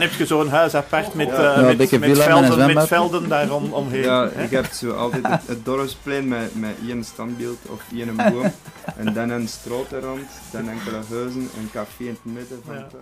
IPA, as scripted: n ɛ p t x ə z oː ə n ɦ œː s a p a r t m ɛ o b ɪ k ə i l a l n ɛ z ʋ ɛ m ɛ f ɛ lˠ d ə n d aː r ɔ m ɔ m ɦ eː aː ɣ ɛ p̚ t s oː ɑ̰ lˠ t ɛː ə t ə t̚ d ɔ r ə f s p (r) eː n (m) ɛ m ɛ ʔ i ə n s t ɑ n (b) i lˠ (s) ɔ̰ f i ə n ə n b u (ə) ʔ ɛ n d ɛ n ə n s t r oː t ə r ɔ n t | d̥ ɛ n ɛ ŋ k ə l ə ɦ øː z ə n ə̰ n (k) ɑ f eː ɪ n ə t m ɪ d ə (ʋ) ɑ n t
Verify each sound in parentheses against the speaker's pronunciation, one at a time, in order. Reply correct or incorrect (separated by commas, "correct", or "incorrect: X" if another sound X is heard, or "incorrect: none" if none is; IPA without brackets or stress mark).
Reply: incorrect: l, correct, correct, incorrect: t, correct, correct, incorrect: v